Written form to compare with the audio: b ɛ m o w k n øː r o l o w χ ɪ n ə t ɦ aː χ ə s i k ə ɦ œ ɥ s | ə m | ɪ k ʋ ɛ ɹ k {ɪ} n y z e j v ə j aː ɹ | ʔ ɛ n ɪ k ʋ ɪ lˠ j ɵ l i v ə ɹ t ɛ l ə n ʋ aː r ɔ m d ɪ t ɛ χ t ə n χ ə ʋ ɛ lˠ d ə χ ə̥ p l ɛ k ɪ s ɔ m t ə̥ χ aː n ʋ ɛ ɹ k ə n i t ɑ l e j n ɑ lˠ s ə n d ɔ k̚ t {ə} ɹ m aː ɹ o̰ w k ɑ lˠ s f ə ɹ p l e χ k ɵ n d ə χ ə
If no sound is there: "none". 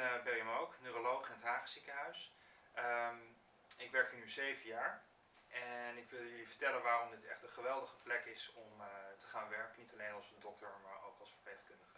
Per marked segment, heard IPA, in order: ɪ, ə

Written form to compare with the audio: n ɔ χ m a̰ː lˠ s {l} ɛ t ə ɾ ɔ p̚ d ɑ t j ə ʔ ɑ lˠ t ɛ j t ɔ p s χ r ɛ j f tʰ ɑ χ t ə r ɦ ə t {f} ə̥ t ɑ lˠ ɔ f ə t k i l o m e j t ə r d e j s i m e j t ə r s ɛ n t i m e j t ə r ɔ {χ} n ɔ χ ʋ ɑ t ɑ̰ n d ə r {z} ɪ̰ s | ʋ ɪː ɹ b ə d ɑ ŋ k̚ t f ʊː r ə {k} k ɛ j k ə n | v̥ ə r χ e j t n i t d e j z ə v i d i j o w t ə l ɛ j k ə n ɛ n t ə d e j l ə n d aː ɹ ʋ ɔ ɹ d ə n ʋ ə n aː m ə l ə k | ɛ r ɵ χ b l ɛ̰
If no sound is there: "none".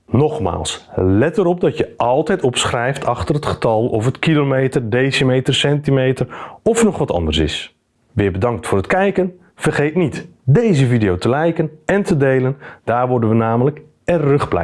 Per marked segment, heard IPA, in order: l, χ, f, s, t

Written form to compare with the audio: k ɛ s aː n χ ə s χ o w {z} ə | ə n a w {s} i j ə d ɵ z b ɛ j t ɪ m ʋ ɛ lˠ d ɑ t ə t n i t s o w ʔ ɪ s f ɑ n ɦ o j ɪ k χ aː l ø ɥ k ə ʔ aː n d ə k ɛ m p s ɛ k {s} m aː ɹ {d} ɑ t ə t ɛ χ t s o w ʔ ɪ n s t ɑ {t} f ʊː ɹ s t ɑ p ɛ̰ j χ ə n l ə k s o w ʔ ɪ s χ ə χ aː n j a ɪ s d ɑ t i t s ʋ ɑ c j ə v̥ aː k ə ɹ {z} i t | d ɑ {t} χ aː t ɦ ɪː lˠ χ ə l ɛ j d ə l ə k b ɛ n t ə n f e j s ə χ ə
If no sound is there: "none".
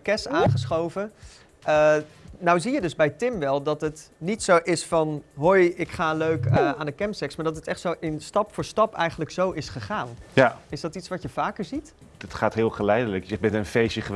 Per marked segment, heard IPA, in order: v, z, s, d, p, z, t

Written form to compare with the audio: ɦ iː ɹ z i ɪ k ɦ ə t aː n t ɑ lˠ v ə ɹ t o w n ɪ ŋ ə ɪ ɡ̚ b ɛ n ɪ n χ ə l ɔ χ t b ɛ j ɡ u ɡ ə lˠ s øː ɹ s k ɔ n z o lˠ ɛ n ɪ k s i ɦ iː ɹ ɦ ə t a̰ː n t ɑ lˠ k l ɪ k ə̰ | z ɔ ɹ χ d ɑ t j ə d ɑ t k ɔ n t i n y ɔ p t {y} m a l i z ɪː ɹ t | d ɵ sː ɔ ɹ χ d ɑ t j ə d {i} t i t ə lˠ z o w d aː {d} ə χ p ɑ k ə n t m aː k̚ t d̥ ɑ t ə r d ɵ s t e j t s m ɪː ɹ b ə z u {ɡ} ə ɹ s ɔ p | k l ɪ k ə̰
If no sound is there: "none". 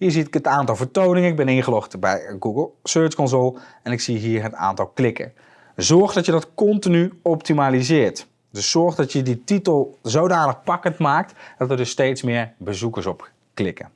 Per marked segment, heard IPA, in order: i, i, n, k

